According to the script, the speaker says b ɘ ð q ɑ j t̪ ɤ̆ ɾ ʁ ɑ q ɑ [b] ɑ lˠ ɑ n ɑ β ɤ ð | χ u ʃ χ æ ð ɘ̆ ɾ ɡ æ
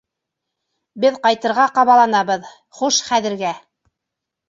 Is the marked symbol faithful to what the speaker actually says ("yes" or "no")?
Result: no